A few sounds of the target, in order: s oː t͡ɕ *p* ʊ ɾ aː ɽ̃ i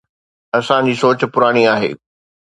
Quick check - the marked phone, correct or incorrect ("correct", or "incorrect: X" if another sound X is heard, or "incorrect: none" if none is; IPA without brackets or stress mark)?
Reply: correct